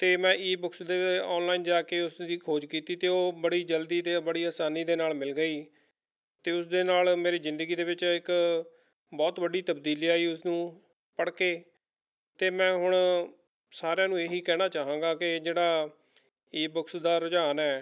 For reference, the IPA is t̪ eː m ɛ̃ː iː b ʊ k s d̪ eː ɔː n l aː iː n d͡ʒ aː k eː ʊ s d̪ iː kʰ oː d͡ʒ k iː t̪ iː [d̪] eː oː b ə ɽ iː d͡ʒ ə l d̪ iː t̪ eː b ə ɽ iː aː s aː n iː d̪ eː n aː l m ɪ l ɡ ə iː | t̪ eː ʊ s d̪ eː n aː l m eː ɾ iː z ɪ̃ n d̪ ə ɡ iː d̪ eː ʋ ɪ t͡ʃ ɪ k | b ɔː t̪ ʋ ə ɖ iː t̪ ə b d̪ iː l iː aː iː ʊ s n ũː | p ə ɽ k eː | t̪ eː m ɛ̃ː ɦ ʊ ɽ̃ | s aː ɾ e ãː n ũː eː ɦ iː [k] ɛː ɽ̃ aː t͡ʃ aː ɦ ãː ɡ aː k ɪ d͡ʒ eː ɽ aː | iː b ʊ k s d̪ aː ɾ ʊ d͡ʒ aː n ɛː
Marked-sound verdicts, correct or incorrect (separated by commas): incorrect, correct